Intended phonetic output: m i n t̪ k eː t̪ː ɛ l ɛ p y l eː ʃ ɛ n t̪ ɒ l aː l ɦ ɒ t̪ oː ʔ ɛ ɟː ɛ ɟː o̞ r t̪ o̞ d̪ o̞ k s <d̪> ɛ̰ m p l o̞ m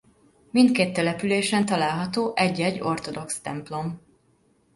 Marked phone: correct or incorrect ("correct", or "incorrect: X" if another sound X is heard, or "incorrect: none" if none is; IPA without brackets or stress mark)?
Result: incorrect: t̪